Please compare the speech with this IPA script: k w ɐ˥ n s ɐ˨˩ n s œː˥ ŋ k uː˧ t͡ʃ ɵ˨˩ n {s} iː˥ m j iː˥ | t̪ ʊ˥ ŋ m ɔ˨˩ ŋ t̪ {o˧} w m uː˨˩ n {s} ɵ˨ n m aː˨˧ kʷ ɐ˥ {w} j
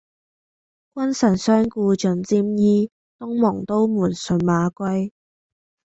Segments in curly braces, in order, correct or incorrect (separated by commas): incorrect, incorrect, correct, incorrect